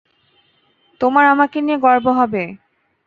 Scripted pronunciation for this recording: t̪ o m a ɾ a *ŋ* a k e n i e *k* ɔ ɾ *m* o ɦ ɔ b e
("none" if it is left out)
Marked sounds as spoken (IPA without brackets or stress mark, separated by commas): m, ɡ, b